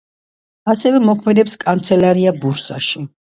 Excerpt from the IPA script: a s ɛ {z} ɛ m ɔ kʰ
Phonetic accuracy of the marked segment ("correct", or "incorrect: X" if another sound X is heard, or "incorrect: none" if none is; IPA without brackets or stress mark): incorrect: v